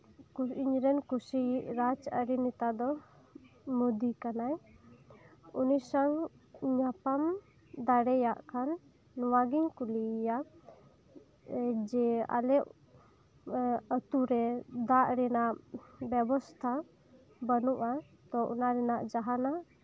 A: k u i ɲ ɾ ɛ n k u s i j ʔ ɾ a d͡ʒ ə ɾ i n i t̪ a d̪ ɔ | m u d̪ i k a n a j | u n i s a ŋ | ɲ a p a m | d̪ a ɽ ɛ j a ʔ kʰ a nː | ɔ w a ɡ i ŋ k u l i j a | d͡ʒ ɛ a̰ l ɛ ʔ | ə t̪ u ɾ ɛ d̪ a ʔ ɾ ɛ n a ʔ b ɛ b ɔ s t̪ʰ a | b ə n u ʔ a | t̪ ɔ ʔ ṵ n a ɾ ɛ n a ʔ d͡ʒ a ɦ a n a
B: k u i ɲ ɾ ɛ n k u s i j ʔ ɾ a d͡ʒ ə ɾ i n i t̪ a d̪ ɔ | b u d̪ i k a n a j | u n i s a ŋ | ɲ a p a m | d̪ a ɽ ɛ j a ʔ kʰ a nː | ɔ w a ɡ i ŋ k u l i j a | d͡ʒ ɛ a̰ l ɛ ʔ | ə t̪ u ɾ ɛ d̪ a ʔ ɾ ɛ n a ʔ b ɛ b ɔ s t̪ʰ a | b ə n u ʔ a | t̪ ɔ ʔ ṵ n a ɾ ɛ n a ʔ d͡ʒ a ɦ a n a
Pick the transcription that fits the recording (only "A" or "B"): A